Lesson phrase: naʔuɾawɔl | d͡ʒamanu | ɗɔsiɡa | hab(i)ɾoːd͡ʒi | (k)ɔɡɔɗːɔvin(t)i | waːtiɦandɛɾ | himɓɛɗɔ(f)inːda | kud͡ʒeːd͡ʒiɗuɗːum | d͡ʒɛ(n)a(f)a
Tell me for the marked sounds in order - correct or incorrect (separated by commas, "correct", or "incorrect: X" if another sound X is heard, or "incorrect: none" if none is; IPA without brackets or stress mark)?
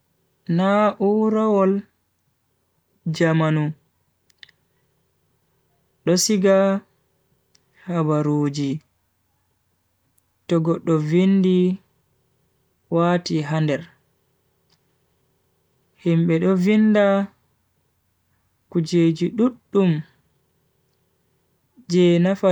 incorrect: a, incorrect: t, incorrect: d, incorrect: v, correct, correct